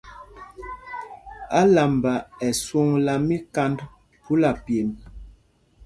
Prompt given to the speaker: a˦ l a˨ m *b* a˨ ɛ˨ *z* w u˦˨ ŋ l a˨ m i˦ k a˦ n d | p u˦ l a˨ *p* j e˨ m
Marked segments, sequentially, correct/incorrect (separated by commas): correct, incorrect, correct